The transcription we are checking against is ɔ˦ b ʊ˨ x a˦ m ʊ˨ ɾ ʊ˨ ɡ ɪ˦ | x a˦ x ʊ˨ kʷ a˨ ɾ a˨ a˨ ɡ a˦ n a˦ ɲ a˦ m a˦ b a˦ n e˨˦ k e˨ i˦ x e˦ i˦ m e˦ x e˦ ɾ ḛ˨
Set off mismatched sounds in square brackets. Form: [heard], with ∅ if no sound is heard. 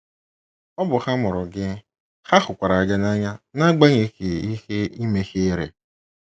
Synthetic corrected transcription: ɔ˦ b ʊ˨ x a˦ m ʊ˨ ɾ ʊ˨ ɡ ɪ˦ | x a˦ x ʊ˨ kʷ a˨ ɾ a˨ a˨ ɡ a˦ n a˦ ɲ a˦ [n] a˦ [ɡ͡b] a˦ [ɲ] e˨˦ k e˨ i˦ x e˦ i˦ m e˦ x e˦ ɾ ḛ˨